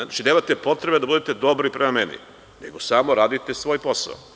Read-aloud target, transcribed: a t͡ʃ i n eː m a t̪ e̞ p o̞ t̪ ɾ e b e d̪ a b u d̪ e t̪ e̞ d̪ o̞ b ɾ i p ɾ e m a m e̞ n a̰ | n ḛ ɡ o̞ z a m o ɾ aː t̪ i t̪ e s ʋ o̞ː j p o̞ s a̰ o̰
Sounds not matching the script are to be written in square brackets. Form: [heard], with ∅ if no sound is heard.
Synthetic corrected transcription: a t͡ʃ i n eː m a t̪ e̞ p o̞ t̪ ɾ e b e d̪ a b u d̪ e t̪ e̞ d̪ o̞ b ɾ i p ɾ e m a m e̞ n [ḭ] | n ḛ ɡ o̞ [s] a m o ɾ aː [d̪] i t̪ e s ʋ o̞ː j p o̞ s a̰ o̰